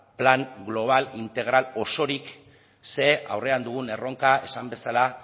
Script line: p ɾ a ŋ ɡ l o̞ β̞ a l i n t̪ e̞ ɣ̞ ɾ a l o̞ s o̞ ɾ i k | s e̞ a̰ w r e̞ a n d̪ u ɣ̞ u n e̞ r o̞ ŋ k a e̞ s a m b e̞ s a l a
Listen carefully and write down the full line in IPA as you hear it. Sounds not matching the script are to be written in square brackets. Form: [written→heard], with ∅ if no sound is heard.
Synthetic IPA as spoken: p [ɾ→l] a ŋ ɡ l o̞ β̞ a l i n t̪ e̞ ɣ̞ ɾ a l o̞ s o̞ ɾ i k | s e̞ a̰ w r e̞ a n d̪ u ɣ̞ u n e̞ r o̞ ŋ k a e̞ s a m b e̞ s a l a